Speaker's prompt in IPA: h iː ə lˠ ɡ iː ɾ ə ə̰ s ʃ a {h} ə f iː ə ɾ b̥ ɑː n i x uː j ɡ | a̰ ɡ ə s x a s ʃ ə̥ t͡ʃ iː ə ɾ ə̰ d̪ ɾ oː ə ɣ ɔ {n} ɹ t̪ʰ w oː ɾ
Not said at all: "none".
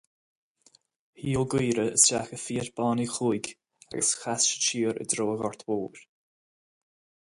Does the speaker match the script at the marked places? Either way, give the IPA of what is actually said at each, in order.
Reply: x, none

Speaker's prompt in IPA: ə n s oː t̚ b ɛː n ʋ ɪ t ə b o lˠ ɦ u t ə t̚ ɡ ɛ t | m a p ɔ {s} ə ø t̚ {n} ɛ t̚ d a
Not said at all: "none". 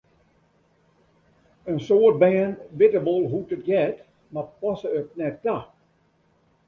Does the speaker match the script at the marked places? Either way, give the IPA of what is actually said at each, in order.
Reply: s, n

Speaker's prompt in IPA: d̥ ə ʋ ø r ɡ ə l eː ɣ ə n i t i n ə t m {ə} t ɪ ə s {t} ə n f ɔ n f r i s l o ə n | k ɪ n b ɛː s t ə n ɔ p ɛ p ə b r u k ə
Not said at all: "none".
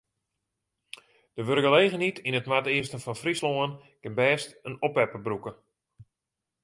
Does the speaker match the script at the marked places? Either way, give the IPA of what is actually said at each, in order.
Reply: a, t

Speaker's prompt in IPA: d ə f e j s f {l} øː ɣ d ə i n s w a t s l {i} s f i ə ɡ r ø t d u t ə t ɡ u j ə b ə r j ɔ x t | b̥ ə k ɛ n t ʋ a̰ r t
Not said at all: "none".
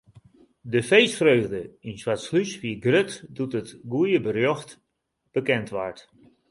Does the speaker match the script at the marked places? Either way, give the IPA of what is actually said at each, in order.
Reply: r, y

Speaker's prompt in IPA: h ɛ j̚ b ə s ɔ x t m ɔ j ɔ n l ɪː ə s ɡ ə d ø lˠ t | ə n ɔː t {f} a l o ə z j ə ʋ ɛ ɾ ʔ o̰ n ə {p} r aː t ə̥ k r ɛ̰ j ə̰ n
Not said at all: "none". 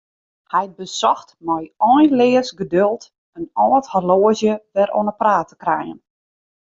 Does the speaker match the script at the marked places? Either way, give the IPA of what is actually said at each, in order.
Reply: h, p

